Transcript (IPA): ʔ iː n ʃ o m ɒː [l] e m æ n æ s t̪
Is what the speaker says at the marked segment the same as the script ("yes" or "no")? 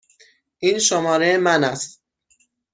no